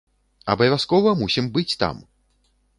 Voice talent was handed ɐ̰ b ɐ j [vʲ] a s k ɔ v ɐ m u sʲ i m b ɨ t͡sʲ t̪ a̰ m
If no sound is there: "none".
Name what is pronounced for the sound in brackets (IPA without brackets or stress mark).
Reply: vʲ